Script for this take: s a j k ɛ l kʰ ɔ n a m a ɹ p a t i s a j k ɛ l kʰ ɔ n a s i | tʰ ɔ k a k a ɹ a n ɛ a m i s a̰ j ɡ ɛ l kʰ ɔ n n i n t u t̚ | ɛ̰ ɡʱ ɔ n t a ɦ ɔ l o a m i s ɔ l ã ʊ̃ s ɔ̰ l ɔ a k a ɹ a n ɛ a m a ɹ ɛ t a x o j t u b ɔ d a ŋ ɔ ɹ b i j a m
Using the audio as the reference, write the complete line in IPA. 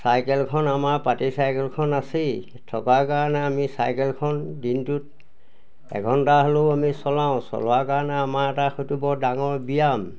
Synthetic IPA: s a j k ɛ l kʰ ɔ n a m a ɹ p a t i s a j k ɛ l kʰ ɔ n a s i | tʰ ɔ k a k a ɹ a n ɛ a m i s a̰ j k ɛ l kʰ ɔ n d i n t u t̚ | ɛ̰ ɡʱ ɔ n t a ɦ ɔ l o a m i s ɔ l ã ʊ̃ s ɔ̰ l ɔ a k a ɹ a n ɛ a m a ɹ ɛ t a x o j t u b ɔ d a ŋ ɔ ɹ b i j a m

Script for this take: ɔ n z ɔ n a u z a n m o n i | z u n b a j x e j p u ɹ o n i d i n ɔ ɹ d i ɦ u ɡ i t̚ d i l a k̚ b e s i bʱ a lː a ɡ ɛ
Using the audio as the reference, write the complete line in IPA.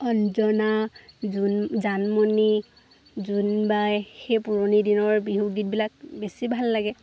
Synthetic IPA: ɔ n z ɔ n a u z a n m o n i | z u n b a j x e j p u ɹ o n i d i n ɔ ɹ b i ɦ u ɡ i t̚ b i l a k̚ b e s i bʱ a lː a ɡ ɛ

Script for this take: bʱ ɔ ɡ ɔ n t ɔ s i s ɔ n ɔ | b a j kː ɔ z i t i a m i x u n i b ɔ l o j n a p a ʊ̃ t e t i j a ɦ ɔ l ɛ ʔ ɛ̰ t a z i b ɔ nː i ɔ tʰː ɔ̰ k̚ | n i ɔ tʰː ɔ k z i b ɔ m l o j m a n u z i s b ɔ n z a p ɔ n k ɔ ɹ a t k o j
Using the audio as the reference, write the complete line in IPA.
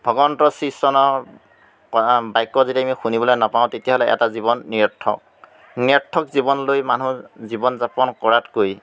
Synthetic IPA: bʱ ɔ ɡ ɔ n t ɔ s i s ɔ n ɔ | b a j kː ɔ z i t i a m i x u n i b ɔ l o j n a p a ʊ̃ t e t i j a ɦ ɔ l ɛ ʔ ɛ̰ t a z i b ɔ nː i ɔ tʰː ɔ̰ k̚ | n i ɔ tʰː ɔ k z i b ɔ n l o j m a n u z i b ɔ n z a p ɔ n k ɔ ɹ a t k o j

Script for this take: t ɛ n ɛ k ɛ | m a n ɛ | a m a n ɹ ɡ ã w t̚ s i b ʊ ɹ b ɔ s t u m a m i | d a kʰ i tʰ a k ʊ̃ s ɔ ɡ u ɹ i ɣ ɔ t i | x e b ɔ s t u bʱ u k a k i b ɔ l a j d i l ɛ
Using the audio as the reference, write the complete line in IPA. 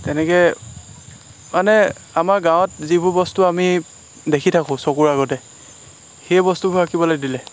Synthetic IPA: t ɛ n ɛ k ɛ | m a n ɛ | a m a ɹ ɡ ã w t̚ z i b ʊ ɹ b ɔ s t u a m i | d e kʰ i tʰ a k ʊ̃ s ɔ k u ɹ a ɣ ɔ t ɛ | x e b ɔ s t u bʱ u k a k i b ɔ l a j d i l ɛ

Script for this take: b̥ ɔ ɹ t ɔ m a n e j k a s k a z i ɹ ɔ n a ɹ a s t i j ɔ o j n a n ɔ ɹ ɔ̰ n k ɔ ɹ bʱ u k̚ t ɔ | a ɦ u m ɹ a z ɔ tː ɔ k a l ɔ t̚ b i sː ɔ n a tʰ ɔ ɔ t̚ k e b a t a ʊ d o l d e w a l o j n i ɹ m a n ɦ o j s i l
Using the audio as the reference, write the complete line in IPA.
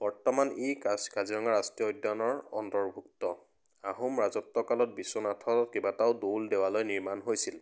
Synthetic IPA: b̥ ɔ ɹ t ɔ m a n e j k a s k a z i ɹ ɔ ŋ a ɹ a s t i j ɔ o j d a n ɔ ɹ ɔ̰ n t ɔ ɹ bʱ u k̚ t ɔ | a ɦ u m ɹ a z ɔ tː ɔ k a l ɔ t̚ b i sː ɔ n a tʰ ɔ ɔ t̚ k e b a t a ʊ d o l d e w a l o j n i ɹ m a n ɦ o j s i l

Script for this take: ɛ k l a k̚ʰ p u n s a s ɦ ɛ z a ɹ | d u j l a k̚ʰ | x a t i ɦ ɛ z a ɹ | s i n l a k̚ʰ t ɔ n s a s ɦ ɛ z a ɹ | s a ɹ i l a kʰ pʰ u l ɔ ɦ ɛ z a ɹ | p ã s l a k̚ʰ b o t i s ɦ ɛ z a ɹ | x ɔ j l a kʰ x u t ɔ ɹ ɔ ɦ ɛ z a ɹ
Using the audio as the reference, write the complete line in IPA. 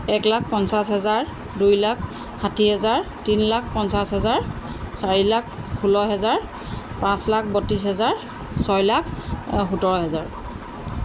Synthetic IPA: ɛ k l a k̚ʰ p ɔ n s a s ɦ ɛ z a ɹ | d u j l a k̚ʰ | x a t i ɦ ɛ z a ɹ | t i n l a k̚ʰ p ɔ n s a s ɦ ɛ z a ɹ | s a ɹ i l a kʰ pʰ u l ɔ ɦ ɛ z a ɹ | p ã s l a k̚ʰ b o t i s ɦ ɛ z a ɹ | s ɔ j l a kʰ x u t ɔ ɹ ɔ ɦ ɛ z a ɹ

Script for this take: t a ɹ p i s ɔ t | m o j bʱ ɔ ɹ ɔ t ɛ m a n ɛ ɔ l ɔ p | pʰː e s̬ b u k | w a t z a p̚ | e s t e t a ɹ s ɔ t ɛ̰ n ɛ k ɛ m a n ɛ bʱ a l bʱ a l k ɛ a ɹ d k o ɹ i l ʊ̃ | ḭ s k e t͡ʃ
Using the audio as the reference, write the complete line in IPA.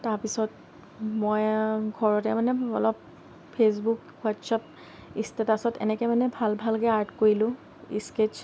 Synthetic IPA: t a ɹ p i s ɔ t | m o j ɡʱ ɔ ɹ ɔ t ɛ m a n ɛ ɔ l ɔ p | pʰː e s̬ b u k | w a t s a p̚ | i s t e t a s ɔ t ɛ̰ n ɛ k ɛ m a n ɛ bʱ a l bʱ a l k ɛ a ɹ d k o ɹ i l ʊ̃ | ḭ s k e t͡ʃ

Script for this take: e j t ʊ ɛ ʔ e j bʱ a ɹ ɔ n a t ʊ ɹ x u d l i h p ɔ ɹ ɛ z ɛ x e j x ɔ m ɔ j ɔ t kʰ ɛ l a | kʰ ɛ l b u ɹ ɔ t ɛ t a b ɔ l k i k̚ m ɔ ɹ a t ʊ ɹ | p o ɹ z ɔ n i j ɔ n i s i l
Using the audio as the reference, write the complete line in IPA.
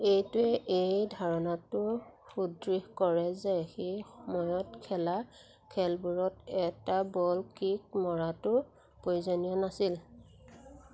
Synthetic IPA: e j t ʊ ɛ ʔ e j dʱ a ɹ ɔ n a t ʊ ɹ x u d ɹ i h k ɔ ɹ ɛ z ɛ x e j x ɔ m ɔ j ɔ t kʰ ɛ l a | kʰ ɛ l b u ɹ ɔ t ɛ t a b ɔ l k i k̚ m ɔ ɹ a t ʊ ɹ | p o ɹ z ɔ n i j ɔ n a s i l

